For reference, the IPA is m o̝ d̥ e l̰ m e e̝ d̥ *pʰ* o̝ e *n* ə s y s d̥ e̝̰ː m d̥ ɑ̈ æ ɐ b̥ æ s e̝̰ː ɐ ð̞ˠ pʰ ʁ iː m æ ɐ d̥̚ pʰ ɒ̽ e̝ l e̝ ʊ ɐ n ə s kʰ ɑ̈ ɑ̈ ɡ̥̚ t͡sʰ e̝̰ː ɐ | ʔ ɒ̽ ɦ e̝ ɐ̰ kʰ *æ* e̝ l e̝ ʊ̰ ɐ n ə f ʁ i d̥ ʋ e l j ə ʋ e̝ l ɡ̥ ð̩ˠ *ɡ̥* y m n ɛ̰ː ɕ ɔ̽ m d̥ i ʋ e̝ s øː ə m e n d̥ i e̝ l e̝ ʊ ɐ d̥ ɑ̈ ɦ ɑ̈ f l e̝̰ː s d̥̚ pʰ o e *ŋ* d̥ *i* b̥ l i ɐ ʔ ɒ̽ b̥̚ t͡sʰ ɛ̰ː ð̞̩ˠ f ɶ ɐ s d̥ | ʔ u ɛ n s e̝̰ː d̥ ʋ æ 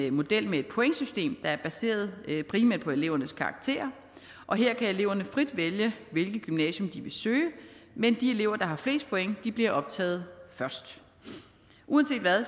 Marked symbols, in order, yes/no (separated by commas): yes, no, yes, yes, yes, yes